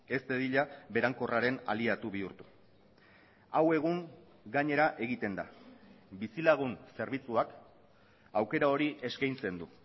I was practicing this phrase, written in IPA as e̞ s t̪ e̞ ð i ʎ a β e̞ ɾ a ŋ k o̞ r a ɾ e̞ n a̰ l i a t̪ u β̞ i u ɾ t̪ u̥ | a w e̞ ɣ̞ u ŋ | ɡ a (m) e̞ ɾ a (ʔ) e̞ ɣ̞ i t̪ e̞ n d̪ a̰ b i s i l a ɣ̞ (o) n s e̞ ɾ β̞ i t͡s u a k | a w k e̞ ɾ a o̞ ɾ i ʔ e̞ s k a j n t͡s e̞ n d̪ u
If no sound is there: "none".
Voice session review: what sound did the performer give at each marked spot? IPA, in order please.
ɲ, ʔ, u

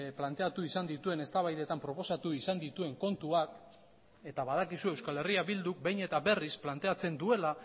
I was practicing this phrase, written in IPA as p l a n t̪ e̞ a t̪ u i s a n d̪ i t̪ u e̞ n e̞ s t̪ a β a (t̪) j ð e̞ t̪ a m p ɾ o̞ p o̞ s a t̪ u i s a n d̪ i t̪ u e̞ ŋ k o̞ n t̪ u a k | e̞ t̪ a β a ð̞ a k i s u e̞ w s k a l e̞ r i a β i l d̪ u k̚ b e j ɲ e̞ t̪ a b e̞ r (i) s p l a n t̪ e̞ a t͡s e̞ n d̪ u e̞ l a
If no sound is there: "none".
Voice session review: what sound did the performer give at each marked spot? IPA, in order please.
none, i

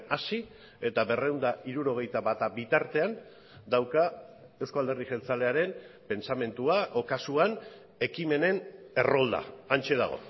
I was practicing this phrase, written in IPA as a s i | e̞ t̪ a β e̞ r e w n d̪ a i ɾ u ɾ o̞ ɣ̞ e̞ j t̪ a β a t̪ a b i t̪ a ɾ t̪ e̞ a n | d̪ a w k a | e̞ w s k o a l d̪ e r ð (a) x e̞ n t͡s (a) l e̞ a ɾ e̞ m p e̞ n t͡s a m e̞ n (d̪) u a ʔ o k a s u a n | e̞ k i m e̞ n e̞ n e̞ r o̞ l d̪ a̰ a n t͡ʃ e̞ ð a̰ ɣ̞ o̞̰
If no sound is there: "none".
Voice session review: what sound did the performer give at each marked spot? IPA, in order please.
i, a, t̪

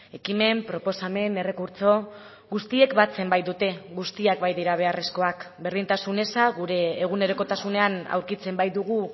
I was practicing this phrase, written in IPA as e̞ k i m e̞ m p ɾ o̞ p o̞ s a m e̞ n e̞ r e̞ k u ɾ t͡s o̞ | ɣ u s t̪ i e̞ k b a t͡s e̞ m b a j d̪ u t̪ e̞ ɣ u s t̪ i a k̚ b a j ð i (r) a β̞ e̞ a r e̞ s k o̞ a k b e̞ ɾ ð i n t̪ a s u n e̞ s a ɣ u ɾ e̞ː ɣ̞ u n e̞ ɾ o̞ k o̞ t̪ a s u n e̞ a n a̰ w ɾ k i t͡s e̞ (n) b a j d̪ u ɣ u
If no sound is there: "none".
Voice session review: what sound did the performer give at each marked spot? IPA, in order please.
ɾ, m

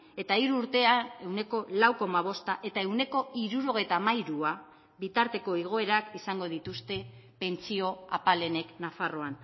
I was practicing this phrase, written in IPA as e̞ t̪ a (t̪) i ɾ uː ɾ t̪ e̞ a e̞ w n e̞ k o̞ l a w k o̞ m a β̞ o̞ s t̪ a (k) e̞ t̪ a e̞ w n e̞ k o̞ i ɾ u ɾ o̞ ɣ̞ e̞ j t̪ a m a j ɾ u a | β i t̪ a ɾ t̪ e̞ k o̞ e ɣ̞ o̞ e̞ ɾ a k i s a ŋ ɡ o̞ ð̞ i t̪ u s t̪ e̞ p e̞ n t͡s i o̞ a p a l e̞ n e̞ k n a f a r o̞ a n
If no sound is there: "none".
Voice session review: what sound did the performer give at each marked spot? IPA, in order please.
none, ʔ

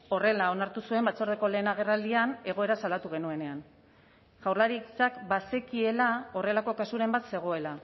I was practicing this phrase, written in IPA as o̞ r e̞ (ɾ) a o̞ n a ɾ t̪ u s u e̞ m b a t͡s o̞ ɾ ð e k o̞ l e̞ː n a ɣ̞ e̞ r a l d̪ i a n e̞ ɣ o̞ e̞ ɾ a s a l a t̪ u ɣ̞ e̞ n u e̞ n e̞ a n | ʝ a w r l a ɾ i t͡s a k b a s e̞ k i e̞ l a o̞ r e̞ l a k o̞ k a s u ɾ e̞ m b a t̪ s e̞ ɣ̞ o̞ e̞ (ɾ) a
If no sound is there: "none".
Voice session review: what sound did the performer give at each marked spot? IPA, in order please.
l, l

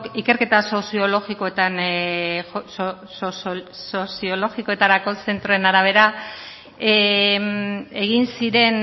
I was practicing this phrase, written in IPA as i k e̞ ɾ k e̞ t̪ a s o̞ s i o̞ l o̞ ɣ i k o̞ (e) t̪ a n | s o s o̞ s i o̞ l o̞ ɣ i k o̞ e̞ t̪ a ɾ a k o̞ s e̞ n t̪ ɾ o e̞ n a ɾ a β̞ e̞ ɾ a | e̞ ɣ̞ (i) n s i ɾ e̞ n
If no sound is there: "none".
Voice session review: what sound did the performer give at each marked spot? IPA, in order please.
e, i

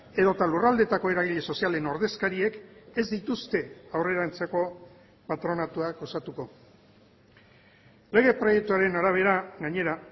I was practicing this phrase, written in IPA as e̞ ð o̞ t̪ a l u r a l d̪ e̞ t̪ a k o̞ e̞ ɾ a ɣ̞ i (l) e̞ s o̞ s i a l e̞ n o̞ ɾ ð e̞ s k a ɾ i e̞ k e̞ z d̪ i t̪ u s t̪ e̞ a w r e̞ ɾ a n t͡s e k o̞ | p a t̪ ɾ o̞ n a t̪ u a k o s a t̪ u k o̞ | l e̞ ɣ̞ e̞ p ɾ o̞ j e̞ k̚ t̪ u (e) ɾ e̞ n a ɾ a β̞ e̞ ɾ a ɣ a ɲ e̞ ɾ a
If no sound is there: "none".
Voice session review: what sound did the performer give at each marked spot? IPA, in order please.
ʎ, a

